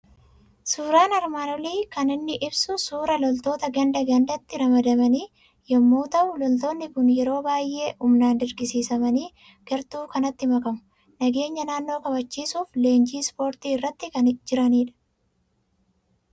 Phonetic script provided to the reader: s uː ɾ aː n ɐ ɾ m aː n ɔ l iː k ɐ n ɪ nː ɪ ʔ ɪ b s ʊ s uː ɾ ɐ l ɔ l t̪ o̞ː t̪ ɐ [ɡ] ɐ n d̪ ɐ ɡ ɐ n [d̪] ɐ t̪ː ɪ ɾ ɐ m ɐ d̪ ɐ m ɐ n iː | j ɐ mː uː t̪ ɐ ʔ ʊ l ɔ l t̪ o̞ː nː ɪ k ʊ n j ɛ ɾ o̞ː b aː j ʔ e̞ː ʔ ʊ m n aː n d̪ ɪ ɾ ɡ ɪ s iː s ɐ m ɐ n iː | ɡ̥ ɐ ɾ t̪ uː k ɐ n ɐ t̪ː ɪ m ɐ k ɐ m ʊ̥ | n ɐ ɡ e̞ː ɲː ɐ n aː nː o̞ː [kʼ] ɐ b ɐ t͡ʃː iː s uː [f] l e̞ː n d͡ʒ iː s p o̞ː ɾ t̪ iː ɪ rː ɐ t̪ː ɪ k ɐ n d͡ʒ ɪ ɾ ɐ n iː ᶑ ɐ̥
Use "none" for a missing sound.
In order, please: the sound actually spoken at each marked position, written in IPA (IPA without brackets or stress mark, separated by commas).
ɡ, d̪, k, f